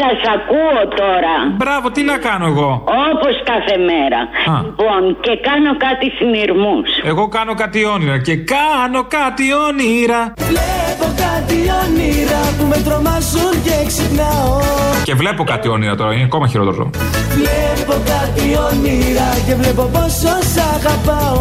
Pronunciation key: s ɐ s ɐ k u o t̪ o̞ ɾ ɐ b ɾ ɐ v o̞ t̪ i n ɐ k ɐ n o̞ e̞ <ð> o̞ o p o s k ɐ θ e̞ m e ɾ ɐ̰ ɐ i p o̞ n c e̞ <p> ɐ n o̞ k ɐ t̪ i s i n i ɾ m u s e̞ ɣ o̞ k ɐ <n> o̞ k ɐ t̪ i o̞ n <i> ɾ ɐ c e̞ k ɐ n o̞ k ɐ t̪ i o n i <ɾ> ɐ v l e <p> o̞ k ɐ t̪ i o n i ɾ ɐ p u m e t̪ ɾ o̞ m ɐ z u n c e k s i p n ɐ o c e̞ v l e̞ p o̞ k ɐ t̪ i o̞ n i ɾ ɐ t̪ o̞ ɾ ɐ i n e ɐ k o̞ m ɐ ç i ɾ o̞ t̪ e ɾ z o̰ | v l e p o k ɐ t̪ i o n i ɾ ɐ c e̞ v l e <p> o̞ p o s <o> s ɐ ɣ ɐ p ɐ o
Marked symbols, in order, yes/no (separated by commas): no, no, yes, yes, yes, yes, yes, yes